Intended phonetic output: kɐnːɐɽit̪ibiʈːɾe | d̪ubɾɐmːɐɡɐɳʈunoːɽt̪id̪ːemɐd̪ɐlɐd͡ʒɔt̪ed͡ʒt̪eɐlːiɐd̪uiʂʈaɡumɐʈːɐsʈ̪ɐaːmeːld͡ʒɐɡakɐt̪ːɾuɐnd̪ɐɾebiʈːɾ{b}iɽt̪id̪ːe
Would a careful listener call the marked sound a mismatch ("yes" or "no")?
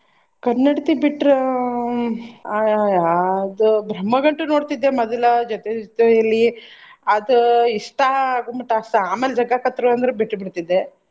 no